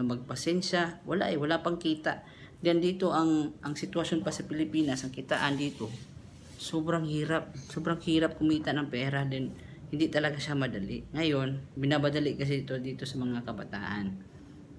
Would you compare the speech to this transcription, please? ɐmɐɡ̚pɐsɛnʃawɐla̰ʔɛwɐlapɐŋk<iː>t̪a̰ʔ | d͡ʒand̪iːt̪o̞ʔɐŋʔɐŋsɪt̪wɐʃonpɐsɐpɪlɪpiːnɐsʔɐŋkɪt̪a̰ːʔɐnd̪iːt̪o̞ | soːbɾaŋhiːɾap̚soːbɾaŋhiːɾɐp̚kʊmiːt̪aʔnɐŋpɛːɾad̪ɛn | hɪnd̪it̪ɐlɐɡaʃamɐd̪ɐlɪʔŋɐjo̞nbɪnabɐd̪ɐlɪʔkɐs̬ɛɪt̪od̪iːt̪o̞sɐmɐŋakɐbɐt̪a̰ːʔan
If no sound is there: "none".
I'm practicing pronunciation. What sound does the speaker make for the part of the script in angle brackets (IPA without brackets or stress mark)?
iː